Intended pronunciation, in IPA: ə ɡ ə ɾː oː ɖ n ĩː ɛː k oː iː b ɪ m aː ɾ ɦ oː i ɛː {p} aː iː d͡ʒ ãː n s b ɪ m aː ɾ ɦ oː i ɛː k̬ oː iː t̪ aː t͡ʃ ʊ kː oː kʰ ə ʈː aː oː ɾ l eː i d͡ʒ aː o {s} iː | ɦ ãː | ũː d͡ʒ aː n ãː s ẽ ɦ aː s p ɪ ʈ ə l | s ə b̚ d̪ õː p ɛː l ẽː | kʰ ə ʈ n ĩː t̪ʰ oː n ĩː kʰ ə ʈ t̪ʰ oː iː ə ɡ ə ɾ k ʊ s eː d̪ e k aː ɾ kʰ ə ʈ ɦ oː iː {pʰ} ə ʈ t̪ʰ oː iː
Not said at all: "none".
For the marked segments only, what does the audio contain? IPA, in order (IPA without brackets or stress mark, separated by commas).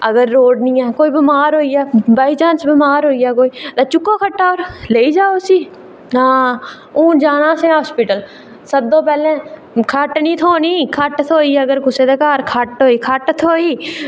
b, s, kʰ